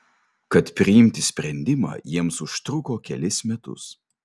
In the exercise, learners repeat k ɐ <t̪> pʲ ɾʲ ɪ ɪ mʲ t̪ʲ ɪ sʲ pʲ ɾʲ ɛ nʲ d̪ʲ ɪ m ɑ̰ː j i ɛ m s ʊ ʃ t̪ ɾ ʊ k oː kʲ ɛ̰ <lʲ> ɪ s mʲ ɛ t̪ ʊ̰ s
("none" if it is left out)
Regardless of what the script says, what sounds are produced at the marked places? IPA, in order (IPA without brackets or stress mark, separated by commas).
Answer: t̪, lʲ